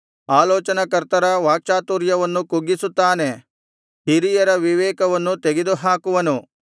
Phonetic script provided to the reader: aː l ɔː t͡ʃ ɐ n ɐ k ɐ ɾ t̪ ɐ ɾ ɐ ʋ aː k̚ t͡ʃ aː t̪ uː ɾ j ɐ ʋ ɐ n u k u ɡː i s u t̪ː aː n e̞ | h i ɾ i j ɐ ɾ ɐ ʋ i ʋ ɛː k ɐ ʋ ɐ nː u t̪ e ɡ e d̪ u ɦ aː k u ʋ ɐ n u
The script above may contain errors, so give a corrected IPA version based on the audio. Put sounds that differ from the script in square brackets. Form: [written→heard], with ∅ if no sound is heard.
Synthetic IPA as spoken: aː l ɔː t͡ʃ ɐ n ɐ k ɐ ɾ t̪ ɐ ɾ ɐ ʋ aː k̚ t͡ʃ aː t̪ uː ɾ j ɐ ʋ ɐ [n→nː] u k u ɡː i s u t̪ː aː n e̞ | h i ɾ i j ɐ ɾ ɐ ʋ i ʋ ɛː k ɐ ʋ ɐ nː u t̪ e ɡ e d̪ u ɦ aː k u ʋ ɐ n u